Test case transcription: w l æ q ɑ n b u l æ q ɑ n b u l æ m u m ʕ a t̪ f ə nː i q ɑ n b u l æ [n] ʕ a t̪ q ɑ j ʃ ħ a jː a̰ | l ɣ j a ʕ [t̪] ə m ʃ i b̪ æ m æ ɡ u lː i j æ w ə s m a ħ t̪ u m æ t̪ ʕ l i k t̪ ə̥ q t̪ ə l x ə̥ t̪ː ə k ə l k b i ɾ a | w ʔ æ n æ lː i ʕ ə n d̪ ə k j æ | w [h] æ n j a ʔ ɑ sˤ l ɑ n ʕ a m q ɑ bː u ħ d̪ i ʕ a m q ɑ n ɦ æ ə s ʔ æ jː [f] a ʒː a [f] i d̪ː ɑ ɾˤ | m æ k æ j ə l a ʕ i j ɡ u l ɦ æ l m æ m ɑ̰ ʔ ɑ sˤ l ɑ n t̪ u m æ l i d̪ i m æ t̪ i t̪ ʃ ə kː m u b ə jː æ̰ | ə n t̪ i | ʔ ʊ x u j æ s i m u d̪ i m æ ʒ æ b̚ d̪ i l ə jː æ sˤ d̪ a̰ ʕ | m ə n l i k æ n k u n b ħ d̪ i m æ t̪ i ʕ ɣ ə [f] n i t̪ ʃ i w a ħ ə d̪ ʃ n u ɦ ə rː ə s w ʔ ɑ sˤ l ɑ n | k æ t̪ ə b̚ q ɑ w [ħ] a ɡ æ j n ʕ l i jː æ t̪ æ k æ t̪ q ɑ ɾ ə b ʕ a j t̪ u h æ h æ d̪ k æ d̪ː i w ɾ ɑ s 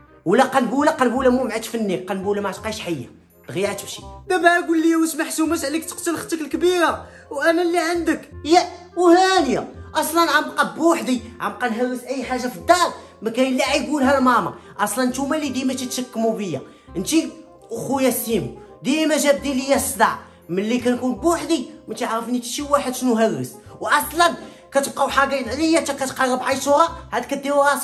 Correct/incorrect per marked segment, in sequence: incorrect, correct, correct, incorrect, correct, correct, correct

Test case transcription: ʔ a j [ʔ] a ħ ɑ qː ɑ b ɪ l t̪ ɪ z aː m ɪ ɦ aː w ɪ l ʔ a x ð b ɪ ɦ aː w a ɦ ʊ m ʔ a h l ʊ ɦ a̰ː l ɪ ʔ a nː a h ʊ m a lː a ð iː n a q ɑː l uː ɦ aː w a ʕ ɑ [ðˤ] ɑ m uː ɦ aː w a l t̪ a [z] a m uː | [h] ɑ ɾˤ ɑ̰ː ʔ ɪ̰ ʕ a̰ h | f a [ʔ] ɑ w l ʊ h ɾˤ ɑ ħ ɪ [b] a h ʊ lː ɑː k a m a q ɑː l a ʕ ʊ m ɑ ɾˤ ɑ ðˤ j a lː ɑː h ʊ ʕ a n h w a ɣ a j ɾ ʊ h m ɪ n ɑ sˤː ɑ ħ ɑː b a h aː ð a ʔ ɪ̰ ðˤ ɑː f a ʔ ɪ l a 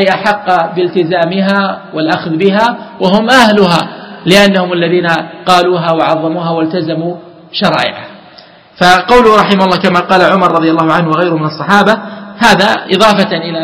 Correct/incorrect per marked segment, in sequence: correct, incorrect, correct, incorrect, incorrect, incorrect

